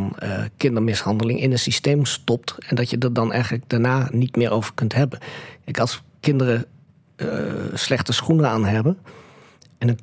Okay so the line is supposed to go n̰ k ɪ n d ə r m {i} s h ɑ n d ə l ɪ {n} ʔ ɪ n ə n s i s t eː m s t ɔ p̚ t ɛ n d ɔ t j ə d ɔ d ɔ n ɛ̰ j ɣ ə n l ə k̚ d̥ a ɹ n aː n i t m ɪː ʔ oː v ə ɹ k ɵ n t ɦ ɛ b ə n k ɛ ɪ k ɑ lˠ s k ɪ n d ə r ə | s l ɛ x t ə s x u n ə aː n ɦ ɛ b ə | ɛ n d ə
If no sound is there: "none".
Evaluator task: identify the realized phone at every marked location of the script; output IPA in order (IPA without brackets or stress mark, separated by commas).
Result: ɪ, ŋ